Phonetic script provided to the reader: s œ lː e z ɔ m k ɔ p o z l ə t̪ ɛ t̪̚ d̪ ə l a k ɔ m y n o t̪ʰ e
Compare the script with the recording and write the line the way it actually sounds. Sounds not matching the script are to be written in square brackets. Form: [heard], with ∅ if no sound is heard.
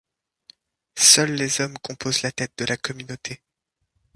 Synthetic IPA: s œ lː e z ɔ m k [ɔ̃] p o z l [a] t̪ ɛ t̪̚ d̪ ə l a k ɔ m y n o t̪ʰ e

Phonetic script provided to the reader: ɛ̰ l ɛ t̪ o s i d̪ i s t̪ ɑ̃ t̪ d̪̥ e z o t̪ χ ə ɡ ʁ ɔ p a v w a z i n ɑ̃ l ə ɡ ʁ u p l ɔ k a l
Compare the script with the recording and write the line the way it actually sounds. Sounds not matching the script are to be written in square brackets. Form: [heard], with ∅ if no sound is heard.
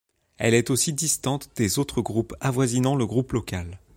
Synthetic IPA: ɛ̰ l ɛ t̪ o s i d̪ i s t̪ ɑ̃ t̪ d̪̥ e z o t̪ χ ə ɡ ʁ [u] p a v w a z i n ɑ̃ l ə ɡ ʁ u p l ɔ k a l

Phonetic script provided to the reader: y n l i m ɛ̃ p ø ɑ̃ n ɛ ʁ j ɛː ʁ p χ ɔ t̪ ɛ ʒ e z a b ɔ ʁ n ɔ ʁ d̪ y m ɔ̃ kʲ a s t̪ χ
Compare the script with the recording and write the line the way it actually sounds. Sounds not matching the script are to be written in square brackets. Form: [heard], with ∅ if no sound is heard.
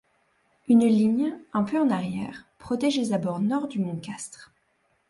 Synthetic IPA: y n l i [ɲ] ɛ̃ p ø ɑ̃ n [a] ʁ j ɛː ʁ p χ ɔ t̪ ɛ ʒ e z a b ɔ ʁ n ɔ ʁ d̪ y m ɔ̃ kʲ a s t̪ χ

